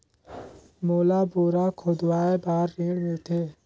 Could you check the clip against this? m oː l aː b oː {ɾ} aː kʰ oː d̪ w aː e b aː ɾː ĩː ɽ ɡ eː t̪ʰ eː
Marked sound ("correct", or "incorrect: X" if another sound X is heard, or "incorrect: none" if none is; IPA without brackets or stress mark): correct